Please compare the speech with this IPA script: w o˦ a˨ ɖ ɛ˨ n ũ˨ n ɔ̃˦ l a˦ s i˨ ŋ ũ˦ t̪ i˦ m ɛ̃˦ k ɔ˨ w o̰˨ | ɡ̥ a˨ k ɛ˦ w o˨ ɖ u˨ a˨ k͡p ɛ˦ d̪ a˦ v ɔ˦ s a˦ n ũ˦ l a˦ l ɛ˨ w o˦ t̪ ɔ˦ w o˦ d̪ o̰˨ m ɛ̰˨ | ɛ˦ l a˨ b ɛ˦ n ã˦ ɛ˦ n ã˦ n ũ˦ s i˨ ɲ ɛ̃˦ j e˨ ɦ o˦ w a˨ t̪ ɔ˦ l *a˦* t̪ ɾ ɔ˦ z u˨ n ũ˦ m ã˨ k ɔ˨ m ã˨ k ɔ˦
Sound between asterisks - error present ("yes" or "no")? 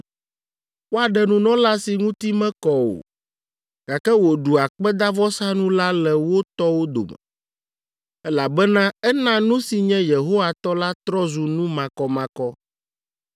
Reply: no